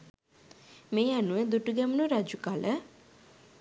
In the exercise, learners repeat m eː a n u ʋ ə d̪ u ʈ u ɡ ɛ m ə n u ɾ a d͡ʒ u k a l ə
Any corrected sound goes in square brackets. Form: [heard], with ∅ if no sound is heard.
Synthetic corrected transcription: m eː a n u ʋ ə d̪ u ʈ u ɡ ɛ m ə n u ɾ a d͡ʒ u k a l ə

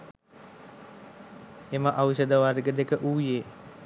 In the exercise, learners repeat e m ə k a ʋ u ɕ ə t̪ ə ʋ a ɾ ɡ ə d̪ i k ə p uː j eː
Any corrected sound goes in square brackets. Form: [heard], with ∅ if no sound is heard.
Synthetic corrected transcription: e m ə [ʔ] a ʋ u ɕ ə [d̪] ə ʋ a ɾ ɡ ə d̪ [e] k ə [ʔ] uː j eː

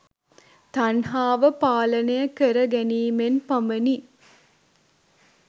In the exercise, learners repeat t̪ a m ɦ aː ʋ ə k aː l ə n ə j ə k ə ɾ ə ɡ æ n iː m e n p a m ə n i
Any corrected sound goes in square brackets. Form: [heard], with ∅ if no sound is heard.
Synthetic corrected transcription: t̪ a [n] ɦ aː ʋ ə [p] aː l ə n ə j ə k ə ɾ ə ɡ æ n iː m e n p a m ə n i

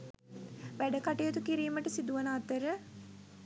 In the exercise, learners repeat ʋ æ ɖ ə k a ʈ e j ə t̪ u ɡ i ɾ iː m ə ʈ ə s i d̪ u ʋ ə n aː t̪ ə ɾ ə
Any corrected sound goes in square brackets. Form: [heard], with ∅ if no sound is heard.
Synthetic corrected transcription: ʋ æ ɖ ə k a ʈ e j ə t̪ u [k] i ɾ iː m ə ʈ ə s i d̪ u ʋ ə n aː t̪ ə ɾ ə

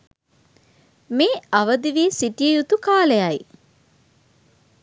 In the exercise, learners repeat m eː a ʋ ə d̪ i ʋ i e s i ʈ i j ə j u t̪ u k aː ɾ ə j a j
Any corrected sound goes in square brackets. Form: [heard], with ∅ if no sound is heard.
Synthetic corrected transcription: m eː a ʋ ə d̪ i ʋ i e s i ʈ i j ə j u t̪ u k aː [l] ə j a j

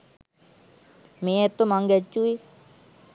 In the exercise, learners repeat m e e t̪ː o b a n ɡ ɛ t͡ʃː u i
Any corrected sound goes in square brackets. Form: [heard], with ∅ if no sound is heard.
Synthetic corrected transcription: m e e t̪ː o [m] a [ŋ] ɡ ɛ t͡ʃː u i

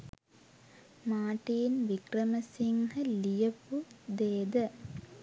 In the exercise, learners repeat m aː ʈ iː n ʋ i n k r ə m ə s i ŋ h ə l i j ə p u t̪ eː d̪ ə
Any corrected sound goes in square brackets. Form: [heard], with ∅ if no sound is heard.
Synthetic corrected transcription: m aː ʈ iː n ʋ i [∅] k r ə m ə s i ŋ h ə l i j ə p u [d̪] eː d̪ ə

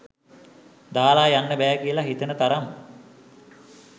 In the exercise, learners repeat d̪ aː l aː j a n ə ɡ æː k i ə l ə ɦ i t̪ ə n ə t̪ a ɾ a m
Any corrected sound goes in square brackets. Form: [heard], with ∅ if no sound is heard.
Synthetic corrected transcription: d̪ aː l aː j a [nː] ə [b] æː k i ə l [a] ɦ i t̪ ə n ə t̪ a ɾ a m

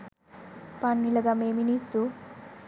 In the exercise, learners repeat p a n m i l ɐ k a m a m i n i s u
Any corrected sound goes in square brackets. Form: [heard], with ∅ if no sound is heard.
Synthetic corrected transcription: p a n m i l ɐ [ɡ] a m [e] m i n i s u

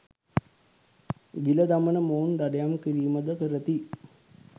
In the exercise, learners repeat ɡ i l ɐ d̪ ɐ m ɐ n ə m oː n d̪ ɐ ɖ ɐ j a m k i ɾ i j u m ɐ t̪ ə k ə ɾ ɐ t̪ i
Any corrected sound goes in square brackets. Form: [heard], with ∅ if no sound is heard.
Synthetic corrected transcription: ɡ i l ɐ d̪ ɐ m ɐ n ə m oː n d̪ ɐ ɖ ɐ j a m k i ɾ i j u m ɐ [d̪] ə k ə ɾ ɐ t̪ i

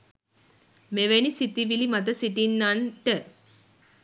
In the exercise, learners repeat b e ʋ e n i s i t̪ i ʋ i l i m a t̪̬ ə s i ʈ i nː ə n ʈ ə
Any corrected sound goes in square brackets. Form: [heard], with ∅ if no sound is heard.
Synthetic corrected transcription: [m] e ʋ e n i s i t̪ i ʋ i l i m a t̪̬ ə s i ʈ i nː [a] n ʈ ə

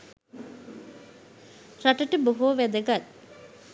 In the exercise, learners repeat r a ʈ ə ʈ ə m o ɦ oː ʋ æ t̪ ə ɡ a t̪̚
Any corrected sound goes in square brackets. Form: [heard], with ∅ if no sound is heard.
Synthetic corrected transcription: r a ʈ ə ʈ ə [b] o ɦ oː ʋ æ [d̪] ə ɡ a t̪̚

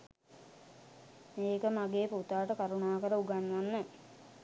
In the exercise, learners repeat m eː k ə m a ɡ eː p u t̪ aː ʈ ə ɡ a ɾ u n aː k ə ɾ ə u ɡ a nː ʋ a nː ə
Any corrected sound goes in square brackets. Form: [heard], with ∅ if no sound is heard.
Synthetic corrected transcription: m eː k ə m a ɡ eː p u t̪ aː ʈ ə [k] a ɾ u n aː k ə ɾ ə u ɡ a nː ʋ a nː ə

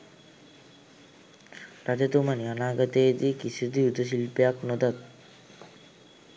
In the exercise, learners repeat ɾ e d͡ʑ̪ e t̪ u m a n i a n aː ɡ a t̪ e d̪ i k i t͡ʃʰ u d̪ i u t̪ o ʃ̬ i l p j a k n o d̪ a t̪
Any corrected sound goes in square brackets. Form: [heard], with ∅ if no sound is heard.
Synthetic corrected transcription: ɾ [a] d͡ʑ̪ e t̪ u m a n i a n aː ɡ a t̪ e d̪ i k i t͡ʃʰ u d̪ i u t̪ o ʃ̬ i l p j a k n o d̪ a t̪

